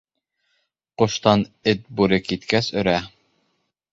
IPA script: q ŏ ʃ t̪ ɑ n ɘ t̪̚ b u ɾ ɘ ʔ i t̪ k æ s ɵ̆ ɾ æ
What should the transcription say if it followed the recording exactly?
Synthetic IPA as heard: q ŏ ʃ t̪ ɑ n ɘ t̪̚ b u ɾ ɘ k i t̪ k æ s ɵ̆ ɾ æ